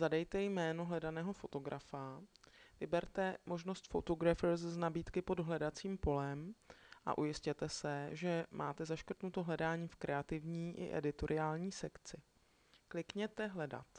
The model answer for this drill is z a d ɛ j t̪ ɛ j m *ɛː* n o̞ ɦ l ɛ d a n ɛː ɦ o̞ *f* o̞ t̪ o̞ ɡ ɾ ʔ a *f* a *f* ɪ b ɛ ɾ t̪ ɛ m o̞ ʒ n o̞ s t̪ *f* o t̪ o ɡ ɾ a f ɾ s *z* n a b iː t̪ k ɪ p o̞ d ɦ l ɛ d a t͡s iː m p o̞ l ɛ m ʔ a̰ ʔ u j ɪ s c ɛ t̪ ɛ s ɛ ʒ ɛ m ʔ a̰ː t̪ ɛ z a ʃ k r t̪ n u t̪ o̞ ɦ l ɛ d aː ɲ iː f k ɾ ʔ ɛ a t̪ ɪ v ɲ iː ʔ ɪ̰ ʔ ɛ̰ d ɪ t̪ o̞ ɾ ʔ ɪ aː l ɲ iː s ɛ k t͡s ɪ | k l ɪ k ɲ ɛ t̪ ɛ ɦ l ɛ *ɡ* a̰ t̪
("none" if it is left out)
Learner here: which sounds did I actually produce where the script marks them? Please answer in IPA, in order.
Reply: ɛː, f, f, v, f, z, d

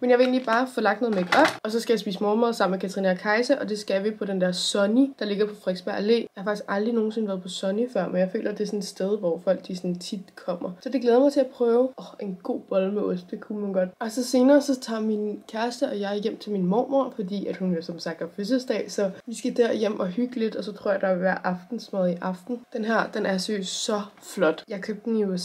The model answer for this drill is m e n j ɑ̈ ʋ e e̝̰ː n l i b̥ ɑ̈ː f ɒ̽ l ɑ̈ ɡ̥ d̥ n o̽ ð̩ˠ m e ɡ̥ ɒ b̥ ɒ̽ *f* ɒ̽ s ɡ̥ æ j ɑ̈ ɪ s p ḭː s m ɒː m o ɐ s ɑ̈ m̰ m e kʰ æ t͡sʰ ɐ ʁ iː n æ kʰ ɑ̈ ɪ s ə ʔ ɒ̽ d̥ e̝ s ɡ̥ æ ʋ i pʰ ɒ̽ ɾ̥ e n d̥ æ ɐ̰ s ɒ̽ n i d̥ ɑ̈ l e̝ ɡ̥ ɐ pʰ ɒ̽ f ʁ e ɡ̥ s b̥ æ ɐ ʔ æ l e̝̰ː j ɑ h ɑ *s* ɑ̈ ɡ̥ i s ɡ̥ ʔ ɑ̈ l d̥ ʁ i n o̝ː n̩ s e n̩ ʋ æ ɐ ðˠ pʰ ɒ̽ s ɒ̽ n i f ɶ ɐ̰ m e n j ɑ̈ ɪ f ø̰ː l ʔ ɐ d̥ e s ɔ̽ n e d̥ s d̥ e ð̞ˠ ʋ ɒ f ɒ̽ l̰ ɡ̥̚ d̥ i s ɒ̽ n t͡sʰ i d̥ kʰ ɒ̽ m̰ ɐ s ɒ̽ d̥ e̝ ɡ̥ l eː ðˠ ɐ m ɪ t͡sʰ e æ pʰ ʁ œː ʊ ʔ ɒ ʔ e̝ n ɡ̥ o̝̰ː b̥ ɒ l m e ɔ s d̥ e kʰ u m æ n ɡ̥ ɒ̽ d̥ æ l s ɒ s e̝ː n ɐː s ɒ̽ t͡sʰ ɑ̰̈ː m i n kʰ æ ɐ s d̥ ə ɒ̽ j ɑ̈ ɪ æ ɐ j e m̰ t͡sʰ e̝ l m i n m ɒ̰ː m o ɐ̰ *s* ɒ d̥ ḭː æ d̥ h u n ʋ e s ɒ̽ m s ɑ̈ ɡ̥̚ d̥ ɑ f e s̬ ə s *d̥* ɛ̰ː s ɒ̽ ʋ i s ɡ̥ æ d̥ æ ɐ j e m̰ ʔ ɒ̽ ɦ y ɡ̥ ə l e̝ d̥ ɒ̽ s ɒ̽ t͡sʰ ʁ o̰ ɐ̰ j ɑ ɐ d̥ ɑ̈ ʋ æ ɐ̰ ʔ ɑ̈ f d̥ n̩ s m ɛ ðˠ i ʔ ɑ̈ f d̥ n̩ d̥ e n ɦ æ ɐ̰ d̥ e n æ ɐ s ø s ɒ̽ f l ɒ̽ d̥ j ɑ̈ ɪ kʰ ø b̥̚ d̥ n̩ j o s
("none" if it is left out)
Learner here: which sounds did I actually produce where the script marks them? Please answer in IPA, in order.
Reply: s, f, f, d̥

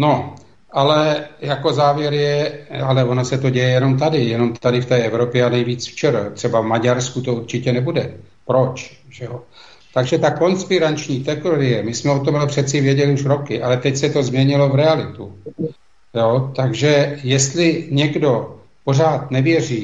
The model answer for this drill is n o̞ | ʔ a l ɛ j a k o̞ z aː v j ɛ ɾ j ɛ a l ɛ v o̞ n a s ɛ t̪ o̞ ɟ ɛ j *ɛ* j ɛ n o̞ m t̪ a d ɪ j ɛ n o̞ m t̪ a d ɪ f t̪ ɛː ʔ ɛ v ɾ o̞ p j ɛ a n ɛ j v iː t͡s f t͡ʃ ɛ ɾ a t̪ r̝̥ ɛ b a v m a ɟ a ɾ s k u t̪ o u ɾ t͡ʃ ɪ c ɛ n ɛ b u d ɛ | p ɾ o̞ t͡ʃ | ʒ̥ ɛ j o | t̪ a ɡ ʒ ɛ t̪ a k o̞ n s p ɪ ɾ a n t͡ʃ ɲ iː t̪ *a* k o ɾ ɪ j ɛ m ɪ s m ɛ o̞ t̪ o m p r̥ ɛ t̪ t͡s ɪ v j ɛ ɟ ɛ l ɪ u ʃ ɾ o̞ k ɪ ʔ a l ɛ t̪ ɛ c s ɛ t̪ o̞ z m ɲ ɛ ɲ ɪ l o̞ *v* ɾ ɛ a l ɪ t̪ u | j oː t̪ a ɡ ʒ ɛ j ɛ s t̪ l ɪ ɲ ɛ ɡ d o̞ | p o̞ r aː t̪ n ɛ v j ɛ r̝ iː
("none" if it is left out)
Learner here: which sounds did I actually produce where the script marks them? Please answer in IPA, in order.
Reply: ɛ, ɛ, v

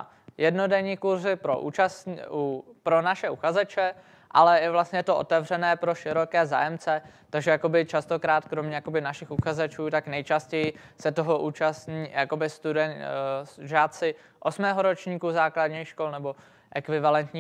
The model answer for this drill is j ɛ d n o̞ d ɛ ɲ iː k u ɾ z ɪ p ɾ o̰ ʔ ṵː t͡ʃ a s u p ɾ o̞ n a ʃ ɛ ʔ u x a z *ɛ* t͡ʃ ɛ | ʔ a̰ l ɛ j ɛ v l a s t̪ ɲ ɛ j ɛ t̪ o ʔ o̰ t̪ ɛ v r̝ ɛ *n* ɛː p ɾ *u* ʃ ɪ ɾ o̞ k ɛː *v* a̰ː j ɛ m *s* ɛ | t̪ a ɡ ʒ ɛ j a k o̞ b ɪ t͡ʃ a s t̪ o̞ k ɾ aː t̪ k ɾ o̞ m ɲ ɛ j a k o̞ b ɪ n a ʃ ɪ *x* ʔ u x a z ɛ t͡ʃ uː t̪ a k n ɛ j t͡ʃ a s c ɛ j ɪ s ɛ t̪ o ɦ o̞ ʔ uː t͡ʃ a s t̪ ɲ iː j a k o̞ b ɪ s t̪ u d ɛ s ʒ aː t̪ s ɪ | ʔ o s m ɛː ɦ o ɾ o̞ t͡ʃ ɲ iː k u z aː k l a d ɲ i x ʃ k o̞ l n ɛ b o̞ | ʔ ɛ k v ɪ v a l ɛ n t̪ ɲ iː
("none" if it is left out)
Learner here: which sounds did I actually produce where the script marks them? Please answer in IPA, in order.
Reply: ɛ, n, o, z, t͡s, x

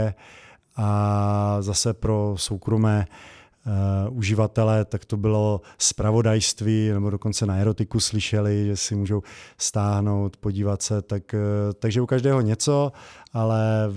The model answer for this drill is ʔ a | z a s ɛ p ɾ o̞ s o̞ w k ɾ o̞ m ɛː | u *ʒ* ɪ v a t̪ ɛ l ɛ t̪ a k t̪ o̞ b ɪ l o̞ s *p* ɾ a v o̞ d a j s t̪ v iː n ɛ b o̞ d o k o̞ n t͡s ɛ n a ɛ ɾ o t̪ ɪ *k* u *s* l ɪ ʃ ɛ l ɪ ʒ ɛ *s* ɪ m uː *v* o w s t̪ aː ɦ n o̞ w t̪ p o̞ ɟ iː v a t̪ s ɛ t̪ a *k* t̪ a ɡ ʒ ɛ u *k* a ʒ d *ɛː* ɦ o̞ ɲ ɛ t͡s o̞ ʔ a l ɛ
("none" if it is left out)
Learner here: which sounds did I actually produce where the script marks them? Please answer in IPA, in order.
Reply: ʒ, p, k, s, s, ʒ, k, k, ɛː

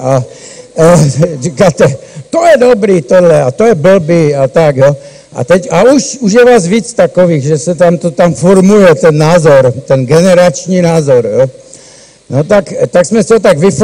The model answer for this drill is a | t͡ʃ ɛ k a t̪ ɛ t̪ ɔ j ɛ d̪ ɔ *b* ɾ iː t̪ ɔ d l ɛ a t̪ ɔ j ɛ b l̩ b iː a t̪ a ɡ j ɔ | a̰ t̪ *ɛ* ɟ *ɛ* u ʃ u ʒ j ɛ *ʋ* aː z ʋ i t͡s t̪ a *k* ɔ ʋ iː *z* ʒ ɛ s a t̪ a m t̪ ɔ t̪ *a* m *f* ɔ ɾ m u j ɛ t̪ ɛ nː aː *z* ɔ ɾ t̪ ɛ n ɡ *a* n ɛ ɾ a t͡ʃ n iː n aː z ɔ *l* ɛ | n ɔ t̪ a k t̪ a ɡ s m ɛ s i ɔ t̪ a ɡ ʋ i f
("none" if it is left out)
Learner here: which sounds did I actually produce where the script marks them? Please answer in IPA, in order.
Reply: b, ɛ, a, ʋ, k, ɣ, a, f, z, ɛ, ɾ

